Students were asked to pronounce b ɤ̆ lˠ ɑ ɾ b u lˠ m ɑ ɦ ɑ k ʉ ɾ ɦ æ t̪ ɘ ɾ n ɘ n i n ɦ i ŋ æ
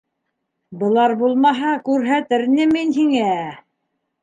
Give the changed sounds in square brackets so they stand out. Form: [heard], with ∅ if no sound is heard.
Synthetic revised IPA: b ɤ̆ lˠ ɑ ɾ b u lˠ m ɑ ɦ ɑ k ʉ ɾ ɦ æ t̪ ɘ ɾ n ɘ [m] i n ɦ i ŋ æ